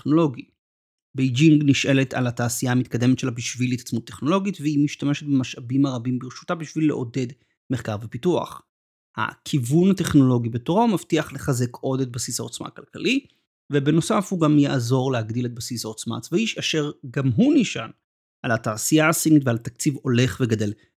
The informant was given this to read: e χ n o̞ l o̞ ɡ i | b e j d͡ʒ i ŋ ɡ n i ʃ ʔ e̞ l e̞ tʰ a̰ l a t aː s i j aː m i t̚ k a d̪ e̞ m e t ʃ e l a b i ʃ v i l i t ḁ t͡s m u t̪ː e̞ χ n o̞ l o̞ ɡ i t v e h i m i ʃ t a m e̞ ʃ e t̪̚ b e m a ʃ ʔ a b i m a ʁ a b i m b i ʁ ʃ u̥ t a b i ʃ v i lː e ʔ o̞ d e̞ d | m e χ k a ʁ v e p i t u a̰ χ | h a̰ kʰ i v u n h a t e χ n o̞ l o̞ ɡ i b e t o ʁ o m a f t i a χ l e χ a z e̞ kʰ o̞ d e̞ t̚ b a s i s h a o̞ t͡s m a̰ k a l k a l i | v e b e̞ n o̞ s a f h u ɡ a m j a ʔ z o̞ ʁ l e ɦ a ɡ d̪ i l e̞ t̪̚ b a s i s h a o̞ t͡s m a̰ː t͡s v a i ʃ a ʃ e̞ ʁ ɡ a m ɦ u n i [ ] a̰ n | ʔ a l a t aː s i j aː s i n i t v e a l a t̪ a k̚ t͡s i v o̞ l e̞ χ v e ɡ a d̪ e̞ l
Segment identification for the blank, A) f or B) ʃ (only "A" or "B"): B